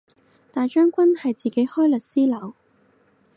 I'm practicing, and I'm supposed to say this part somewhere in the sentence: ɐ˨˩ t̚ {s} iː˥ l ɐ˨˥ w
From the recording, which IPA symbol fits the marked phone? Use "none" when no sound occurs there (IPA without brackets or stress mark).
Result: s